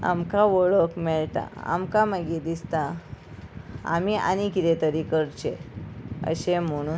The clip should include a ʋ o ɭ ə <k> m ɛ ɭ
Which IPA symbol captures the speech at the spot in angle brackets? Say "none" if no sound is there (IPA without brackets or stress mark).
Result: k